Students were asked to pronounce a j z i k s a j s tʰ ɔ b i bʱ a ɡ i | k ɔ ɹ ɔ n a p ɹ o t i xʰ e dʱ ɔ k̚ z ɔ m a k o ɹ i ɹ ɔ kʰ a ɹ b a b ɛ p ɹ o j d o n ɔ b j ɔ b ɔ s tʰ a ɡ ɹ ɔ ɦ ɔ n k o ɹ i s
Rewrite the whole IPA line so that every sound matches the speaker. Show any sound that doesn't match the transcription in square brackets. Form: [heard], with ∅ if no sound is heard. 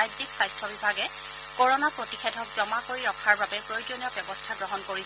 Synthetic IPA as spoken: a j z i k s a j s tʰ ɔ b i bʱ a ɡ [ɛ] | k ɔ ɹ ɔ n a p ɹ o t i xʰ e dʱ ɔ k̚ z ɔ m a k o ɹ i ɹ ɔ kʰ a ɹ b a b ɛ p ɹ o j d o n ɔ b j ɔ b ɔ s tʰ a ɡ ɹ ɔ ɦ ɔ n k o ɹ i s